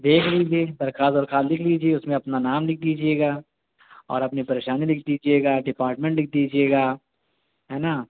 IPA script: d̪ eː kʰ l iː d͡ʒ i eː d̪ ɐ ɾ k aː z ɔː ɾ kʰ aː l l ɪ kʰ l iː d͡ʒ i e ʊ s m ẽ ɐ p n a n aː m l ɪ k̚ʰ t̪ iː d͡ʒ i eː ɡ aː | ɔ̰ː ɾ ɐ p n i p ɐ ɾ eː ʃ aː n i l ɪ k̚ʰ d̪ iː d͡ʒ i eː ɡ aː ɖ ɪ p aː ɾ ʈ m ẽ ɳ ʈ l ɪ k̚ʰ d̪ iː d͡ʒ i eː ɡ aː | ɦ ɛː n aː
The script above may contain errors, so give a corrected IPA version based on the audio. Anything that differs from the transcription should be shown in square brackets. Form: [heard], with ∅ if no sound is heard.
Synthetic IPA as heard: d̪ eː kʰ l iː d͡ʒ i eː d̪ ɐ ɾ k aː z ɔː ɾ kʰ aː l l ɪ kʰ l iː d͡ʒ i e ʊ s m ẽ ɐ p n a n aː m l ɪ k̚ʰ [d̪] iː d͡ʒ i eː ɡ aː | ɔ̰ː ɾ ɐ p n i p ɐ ɾ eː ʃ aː n i l ɪ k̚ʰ d̪ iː d͡ʒ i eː ɡ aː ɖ ɪ p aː ɾ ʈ m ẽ ɳ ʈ l ɪ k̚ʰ d̪ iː d͡ʒ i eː ɡ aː | ɦ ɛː n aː